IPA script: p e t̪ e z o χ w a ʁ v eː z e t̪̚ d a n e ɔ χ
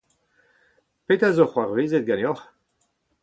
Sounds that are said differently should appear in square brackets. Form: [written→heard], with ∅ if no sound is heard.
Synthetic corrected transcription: p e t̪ [e→a] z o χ w a ʁ v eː z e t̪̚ [d→ɡ] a n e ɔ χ